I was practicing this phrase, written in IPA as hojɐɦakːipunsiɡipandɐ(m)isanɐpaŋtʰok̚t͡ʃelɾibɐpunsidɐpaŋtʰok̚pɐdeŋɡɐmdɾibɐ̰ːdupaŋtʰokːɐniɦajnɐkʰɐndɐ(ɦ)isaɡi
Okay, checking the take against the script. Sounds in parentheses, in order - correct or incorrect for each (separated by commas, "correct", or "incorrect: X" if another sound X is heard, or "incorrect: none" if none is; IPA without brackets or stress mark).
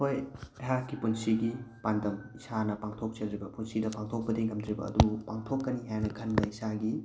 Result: correct, incorrect: none